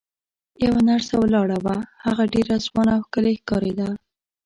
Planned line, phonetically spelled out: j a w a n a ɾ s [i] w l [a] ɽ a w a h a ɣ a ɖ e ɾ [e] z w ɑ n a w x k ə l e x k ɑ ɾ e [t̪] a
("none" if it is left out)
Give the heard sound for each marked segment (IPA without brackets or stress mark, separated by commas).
a, ɑ, a, d̪